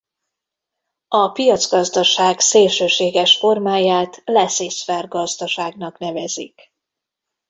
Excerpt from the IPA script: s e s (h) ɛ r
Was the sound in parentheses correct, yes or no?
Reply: no